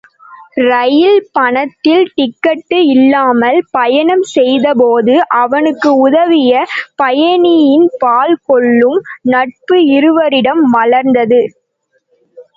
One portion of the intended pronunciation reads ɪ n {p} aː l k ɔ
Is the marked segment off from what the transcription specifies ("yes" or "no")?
no